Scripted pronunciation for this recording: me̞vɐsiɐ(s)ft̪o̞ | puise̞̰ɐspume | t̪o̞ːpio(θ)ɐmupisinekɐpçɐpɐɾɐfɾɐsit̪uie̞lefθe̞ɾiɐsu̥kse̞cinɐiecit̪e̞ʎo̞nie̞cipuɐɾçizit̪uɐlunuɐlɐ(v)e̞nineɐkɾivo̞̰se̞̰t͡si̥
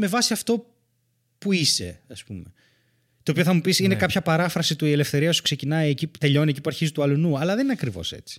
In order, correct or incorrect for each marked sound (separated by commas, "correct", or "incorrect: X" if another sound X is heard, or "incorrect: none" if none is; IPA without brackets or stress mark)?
incorrect: none, correct, incorrect: ð